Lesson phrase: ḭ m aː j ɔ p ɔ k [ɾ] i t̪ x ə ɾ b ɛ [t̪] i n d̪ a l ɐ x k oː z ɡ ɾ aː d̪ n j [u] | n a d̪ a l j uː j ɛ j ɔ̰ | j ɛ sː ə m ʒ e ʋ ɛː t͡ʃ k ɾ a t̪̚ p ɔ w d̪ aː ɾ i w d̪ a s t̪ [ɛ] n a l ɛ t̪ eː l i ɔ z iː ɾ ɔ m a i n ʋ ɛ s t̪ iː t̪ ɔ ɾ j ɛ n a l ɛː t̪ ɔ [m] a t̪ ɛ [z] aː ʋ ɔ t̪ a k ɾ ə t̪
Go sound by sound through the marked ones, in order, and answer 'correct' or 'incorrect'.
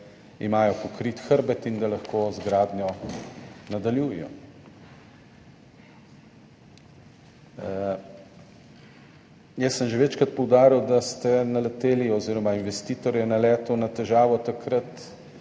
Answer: correct, correct, incorrect, correct, incorrect, incorrect

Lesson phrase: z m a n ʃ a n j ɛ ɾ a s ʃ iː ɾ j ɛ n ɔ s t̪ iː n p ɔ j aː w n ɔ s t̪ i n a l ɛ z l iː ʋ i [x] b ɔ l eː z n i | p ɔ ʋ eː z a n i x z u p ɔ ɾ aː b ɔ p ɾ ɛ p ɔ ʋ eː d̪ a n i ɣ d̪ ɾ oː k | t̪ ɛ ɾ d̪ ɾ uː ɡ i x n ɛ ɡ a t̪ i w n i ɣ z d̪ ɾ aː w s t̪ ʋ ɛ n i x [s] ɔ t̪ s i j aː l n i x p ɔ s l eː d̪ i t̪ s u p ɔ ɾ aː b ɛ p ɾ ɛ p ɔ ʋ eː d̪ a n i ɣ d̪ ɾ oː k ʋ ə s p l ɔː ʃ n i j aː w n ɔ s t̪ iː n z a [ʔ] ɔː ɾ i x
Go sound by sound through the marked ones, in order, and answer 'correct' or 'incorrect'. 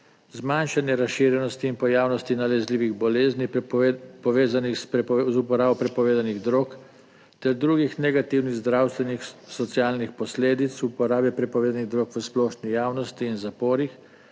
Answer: incorrect, correct, incorrect

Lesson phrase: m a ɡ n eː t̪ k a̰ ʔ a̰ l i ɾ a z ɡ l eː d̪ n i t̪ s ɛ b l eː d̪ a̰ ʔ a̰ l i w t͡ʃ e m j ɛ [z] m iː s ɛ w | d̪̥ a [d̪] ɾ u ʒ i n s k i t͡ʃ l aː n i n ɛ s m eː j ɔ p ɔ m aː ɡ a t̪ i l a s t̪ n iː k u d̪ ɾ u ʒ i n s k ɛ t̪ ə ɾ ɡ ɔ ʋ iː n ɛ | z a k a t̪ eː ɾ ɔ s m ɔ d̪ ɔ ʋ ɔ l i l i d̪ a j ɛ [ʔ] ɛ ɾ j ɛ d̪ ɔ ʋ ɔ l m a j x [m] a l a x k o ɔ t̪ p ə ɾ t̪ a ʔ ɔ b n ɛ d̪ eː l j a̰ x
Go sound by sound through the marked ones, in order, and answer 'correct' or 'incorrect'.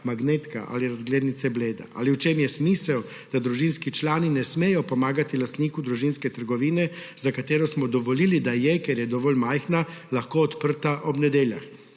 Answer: incorrect, correct, incorrect, incorrect

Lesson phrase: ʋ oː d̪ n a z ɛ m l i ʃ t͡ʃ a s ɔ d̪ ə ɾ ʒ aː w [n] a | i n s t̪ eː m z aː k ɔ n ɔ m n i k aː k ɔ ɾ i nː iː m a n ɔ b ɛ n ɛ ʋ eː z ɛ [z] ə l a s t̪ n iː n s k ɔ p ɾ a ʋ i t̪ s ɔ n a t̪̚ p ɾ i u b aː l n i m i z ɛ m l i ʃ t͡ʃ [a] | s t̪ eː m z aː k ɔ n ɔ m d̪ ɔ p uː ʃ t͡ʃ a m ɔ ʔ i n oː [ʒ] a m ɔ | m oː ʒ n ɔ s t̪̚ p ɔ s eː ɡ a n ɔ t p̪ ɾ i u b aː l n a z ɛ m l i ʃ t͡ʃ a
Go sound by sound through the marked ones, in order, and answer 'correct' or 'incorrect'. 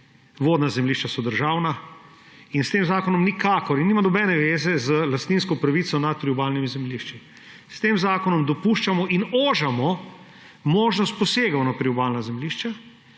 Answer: correct, correct, incorrect, correct

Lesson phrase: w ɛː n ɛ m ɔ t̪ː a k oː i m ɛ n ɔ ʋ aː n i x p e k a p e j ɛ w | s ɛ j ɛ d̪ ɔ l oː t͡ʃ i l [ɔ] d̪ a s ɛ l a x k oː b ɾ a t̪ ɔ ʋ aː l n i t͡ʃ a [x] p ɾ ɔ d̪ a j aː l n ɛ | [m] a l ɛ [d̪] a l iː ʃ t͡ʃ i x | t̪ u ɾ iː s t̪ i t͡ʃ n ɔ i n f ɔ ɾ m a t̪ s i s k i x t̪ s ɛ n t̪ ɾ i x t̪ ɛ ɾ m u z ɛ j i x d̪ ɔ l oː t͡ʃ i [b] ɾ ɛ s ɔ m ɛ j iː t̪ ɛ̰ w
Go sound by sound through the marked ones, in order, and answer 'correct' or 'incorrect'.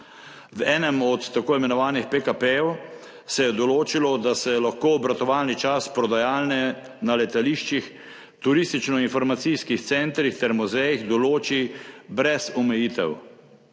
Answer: correct, incorrect, incorrect, incorrect, correct

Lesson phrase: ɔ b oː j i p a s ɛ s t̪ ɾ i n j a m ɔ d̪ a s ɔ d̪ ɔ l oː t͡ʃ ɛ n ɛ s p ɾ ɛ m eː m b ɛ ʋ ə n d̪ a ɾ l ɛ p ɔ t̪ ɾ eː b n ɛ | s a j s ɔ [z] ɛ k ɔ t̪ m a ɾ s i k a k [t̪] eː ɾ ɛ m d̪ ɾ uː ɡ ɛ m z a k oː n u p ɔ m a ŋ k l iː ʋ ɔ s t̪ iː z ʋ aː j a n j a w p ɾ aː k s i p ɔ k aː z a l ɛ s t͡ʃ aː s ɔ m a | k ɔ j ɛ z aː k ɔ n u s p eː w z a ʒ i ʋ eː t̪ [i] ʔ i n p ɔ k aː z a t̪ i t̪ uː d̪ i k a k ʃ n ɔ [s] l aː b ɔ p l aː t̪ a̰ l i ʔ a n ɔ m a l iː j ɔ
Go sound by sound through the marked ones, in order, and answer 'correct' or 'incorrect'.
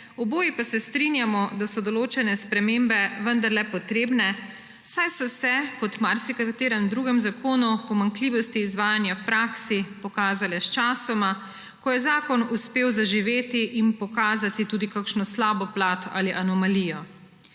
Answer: incorrect, correct, correct, correct

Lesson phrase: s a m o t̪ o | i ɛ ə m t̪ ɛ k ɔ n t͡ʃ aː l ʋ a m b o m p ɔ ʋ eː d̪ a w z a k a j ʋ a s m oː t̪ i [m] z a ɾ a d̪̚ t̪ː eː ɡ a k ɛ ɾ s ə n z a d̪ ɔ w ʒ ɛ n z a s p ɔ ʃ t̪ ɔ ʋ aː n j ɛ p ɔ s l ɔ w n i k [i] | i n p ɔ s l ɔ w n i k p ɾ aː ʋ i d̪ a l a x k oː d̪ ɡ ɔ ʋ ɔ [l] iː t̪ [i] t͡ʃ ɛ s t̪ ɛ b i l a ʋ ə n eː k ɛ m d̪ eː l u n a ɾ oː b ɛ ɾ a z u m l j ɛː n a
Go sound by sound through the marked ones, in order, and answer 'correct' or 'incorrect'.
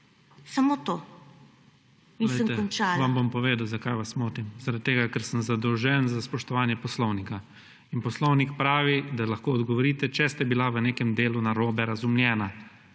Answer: correct, incorrect, incorrect, incorrect

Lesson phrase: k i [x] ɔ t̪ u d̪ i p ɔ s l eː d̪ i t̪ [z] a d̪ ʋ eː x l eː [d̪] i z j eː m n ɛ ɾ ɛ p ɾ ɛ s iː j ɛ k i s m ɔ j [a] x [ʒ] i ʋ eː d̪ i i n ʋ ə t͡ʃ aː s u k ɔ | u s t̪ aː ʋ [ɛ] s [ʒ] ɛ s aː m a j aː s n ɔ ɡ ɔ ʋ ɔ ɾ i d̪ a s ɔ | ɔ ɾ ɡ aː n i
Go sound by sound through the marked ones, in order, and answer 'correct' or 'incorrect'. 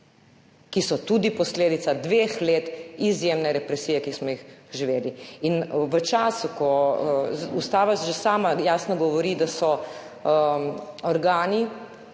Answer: incorrect, incorrect, incorrect, incorrect, correct, incorrect, correct

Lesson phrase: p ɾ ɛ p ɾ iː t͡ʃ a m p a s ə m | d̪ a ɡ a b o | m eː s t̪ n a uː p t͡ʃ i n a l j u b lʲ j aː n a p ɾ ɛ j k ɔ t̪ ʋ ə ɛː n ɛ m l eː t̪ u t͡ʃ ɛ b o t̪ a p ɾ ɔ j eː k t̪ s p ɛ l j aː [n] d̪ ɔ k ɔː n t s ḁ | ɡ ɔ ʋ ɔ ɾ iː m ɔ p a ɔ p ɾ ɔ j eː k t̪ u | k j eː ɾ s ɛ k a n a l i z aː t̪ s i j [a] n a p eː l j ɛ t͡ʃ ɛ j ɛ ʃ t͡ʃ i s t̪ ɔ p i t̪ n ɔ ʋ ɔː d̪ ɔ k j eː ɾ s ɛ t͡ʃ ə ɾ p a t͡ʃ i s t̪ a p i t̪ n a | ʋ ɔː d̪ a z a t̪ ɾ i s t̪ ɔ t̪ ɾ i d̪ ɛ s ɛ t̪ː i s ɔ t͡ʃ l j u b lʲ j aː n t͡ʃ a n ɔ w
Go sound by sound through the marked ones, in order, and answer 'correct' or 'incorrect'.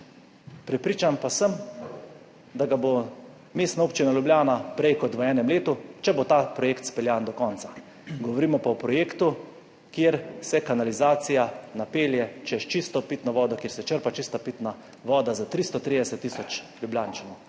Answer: correct, correct

